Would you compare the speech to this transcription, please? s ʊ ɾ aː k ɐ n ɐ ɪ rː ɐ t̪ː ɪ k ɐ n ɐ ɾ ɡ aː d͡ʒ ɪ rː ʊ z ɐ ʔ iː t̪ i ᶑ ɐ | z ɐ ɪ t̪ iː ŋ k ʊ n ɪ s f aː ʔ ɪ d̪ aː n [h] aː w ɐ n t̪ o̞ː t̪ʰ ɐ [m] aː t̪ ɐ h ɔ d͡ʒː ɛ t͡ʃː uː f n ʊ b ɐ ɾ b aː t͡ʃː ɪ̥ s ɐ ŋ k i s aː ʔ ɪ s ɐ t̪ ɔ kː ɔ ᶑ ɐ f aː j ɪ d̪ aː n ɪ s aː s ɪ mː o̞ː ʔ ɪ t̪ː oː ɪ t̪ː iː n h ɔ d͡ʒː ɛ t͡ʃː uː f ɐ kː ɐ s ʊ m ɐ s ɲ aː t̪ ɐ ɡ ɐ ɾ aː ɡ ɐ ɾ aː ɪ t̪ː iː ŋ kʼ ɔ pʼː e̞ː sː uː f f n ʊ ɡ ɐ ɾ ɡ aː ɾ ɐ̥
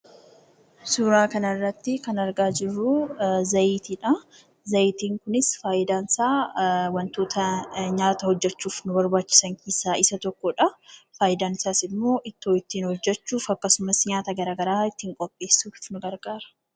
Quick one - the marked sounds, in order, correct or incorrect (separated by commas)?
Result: incorrect, incorrect